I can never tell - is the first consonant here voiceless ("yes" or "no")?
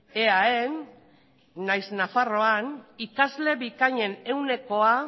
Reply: no